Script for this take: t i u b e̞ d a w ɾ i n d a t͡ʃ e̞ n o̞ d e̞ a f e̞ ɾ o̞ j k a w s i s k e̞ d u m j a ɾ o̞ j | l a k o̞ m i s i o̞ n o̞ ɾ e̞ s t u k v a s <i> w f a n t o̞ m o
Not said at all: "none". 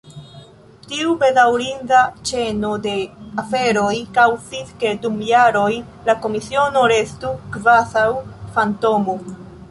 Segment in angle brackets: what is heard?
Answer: a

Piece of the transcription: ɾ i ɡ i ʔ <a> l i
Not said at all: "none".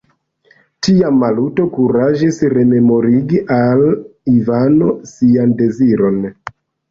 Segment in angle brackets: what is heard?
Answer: a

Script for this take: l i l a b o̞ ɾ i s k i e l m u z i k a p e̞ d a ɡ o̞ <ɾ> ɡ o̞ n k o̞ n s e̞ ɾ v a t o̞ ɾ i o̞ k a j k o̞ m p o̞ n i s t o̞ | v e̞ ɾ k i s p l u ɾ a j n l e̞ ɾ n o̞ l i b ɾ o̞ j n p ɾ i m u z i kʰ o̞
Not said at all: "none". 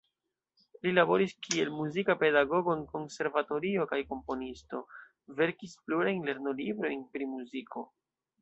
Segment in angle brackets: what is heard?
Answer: none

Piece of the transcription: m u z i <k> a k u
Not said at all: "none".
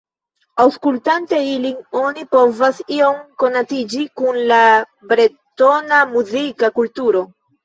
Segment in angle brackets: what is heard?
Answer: k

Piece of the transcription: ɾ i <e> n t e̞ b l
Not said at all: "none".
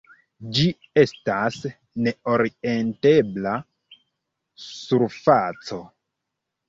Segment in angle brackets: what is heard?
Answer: e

